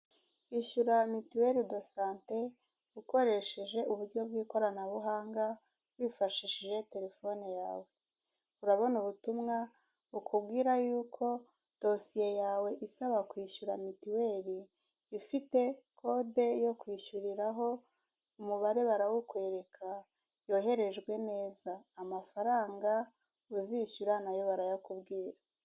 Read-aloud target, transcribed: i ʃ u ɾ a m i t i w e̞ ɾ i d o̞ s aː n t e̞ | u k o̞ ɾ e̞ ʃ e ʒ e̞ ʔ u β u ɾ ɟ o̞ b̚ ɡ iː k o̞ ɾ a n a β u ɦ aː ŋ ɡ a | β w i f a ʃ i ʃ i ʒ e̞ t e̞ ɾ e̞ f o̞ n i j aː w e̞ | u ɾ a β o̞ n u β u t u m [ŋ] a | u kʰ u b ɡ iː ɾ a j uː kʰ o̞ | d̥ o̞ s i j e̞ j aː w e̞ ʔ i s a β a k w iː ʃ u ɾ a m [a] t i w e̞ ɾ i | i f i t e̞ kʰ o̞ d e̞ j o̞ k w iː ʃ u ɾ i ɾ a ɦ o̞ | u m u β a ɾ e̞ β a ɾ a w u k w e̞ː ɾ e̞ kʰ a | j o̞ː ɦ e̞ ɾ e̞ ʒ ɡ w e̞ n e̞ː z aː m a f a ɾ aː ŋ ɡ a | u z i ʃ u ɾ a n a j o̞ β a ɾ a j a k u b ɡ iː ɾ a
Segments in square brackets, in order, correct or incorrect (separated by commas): correct, incorrect